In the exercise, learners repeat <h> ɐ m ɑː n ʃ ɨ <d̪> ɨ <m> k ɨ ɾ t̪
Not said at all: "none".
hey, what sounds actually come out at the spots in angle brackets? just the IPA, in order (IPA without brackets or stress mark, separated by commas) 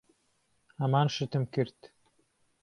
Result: h, t̪, m